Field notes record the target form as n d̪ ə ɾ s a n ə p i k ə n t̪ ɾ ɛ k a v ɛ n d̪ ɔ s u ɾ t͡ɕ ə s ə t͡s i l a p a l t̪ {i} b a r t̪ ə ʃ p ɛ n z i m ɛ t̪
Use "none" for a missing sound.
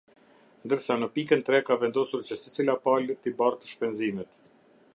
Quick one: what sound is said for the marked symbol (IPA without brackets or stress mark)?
i